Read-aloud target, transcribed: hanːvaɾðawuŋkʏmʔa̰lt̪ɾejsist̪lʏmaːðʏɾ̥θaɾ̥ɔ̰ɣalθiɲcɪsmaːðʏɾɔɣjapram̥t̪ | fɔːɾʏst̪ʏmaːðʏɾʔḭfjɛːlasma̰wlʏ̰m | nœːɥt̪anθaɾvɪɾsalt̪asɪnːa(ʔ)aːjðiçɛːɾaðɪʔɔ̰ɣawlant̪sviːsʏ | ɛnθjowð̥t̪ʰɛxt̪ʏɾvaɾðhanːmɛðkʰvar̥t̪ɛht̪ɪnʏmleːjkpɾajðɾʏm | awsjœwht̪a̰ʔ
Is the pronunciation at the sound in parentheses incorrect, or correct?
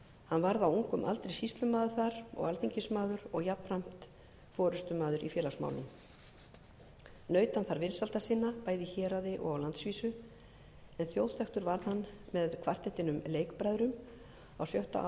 incorrect